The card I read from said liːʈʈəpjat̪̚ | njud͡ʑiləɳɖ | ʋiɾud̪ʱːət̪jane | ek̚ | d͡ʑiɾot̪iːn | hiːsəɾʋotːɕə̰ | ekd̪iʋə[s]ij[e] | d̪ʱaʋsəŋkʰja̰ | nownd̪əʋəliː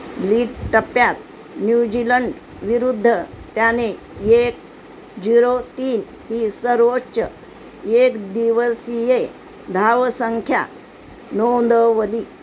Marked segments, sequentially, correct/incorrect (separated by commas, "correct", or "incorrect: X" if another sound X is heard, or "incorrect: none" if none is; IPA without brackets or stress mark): correct, correct